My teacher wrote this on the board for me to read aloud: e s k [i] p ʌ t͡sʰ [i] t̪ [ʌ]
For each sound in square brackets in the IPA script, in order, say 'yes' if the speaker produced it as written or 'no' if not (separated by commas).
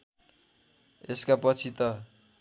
no, yes, yes